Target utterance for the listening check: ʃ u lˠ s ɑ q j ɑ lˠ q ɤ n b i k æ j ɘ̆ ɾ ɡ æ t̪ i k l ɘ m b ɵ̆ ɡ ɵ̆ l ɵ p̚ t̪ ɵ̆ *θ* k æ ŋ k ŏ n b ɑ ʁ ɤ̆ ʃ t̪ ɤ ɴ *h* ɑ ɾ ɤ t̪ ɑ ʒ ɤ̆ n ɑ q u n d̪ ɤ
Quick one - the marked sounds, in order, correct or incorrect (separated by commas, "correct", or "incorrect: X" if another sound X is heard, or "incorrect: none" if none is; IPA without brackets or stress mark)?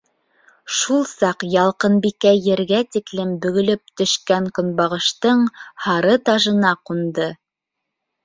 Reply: incorrect: ʃ, correct